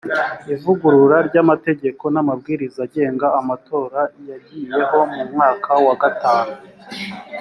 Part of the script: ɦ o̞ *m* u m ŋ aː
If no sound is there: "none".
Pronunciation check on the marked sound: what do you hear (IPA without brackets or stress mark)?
m